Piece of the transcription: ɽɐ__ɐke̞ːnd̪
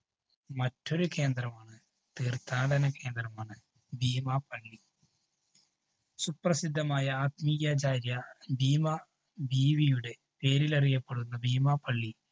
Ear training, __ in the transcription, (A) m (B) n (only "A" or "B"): B